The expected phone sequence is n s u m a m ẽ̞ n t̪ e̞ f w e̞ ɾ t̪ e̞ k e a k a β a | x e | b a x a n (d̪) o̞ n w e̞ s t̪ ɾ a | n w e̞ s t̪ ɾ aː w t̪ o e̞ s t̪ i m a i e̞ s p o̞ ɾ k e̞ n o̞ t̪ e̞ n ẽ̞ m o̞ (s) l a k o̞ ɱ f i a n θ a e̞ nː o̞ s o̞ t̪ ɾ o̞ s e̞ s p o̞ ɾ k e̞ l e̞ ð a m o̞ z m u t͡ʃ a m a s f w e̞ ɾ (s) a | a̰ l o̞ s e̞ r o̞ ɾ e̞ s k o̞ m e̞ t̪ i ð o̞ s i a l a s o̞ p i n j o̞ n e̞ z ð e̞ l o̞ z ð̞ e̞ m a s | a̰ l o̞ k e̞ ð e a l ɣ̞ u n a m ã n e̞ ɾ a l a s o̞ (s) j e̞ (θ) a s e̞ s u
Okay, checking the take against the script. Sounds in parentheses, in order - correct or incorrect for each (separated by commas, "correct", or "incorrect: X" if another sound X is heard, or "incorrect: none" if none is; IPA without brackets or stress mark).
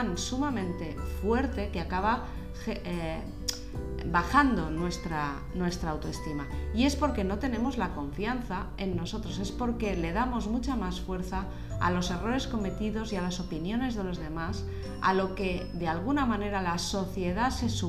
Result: correct, incorrect: z, incorrect: θ, incorrect: θ, incorrect: ð